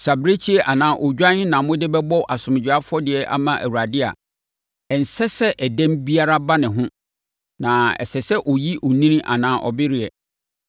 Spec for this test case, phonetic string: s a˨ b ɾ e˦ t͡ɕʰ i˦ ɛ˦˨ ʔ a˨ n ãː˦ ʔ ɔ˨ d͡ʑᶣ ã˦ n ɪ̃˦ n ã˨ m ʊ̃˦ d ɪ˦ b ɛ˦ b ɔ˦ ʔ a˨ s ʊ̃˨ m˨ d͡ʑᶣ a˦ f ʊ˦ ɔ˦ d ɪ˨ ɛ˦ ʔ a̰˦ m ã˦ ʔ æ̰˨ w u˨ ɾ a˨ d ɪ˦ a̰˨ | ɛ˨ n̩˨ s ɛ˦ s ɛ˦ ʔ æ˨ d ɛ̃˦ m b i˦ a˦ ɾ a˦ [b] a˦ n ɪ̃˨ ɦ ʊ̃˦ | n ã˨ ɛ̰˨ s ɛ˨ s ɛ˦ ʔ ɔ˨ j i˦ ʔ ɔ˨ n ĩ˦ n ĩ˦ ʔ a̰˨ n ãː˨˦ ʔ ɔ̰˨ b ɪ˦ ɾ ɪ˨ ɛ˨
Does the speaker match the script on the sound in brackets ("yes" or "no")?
yes